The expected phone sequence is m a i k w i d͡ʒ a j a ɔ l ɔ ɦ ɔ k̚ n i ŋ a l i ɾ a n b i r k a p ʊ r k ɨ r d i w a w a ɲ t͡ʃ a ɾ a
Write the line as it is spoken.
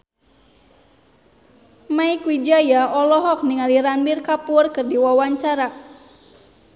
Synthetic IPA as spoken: m a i k w i d͡ʒ a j a ɔ l ɔ ɦ ɔ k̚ n i ŋ a l i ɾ a n b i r k a p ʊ r k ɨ r d i w a w a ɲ t͡ʃ a ɾ a